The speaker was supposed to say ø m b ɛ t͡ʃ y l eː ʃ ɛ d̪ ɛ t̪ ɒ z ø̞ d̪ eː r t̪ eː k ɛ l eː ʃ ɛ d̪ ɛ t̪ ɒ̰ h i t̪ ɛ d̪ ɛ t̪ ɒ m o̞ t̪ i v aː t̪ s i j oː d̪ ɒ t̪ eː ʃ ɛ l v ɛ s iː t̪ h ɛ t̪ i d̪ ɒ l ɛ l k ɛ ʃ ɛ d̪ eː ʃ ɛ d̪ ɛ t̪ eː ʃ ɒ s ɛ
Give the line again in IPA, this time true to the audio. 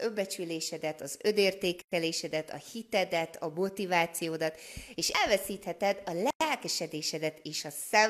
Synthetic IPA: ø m b ɛ t͡ʃ y l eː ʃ ɛ d̪ ɛ t̪ ɒ z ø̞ d̪ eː r t̪ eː k ɛ l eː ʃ ɛ d̪ ɛ t̪ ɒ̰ h i t̪ ɛ d̪ ɛ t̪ ɒ m o̞ t̪ i v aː t̪ s i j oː d̪ ɒ t̪ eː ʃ ɛ l v ɛ s iː t̪ h ɛ t̪ ɛ d̪ ɒ l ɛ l k ɛ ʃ ɛ d̪ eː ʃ ɛ d̪ ɛ t̪ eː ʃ ɒ s ɛ